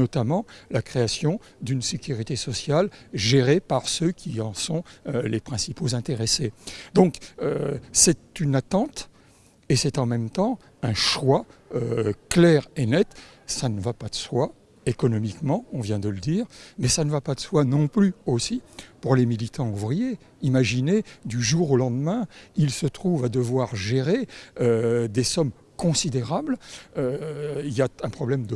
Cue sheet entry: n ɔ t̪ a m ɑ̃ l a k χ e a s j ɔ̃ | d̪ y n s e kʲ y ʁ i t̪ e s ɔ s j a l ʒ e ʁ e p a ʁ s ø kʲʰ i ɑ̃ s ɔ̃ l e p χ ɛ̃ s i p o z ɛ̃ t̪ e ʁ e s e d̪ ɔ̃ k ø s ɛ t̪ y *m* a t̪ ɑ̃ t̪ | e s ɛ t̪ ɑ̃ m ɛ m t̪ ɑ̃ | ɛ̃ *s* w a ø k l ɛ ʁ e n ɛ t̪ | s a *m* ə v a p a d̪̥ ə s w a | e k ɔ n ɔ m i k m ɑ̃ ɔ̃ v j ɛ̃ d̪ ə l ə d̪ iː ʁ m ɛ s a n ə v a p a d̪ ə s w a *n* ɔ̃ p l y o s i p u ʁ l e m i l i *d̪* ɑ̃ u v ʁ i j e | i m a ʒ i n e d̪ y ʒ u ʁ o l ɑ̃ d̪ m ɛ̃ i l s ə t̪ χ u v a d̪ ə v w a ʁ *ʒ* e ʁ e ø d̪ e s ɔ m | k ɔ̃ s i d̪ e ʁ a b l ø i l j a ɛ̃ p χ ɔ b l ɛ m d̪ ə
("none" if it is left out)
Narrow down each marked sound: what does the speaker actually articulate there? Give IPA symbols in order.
n, ʃ, n, n, t̪, ʒ

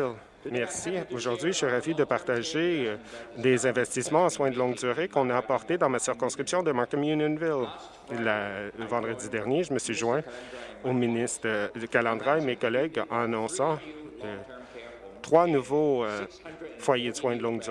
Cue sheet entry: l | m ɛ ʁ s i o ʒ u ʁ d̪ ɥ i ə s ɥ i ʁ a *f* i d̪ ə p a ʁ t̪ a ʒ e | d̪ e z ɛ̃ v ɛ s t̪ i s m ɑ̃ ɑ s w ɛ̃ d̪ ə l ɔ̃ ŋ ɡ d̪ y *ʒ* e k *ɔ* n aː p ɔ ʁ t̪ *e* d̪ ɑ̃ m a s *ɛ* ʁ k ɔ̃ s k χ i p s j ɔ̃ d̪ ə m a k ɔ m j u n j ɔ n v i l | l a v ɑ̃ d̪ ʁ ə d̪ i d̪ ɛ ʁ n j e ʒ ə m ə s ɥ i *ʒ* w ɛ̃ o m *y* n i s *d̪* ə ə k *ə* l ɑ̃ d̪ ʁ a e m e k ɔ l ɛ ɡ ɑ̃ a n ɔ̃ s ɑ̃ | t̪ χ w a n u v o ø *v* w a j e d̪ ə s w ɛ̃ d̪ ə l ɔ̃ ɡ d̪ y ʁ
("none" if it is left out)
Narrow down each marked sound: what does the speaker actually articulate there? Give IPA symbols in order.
v, ʁ, ɔ̃, e, i, ʒ, i, t̪, a, f

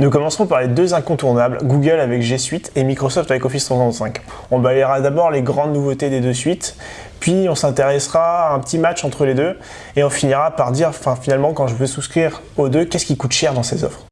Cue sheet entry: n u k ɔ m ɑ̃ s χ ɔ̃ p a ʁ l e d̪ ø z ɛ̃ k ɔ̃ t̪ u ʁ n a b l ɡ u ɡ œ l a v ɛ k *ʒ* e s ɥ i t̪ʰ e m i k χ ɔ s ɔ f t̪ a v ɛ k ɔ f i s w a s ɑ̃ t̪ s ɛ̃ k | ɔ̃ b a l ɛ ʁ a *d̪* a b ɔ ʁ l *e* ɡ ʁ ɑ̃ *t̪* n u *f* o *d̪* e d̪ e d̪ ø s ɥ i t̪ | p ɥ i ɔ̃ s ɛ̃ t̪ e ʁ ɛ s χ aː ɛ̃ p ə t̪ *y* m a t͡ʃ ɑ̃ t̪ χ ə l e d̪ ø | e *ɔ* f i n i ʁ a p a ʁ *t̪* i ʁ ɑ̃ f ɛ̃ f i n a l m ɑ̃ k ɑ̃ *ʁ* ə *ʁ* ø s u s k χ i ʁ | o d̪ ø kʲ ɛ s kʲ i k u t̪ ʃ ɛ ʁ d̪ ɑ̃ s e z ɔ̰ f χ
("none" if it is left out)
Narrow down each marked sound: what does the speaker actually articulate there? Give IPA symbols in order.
ʒ, d̪, e, d̪, v, t̪, i, ɔ̃, d̪, ʒ, v

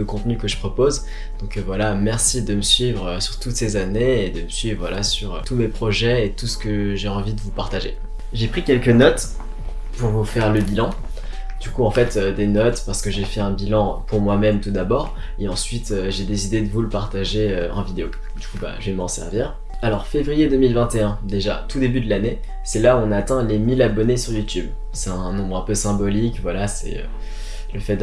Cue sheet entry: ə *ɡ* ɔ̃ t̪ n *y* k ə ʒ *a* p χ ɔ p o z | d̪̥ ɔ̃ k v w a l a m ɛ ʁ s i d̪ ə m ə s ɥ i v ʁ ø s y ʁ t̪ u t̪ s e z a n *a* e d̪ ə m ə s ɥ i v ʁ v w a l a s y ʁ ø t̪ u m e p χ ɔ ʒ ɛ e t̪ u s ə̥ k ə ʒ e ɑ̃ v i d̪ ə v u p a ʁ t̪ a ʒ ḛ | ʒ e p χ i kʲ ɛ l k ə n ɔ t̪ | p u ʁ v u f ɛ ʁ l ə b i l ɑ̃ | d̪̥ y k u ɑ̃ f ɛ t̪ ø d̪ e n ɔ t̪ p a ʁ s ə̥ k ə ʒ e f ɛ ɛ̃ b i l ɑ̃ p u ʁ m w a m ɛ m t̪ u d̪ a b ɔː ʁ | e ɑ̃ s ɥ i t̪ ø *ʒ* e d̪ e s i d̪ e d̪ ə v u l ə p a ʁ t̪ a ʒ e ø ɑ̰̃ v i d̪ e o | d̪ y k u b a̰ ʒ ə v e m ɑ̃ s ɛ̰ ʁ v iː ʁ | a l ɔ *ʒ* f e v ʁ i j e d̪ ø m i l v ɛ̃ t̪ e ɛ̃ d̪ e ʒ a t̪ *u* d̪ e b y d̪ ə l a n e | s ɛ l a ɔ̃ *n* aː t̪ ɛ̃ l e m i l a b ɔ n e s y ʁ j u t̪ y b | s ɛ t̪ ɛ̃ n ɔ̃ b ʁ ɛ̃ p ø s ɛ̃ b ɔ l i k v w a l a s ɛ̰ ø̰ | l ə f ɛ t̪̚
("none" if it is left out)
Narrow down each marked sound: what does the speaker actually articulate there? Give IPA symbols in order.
k, y, ə, e, ʒ, ʁ, u, n

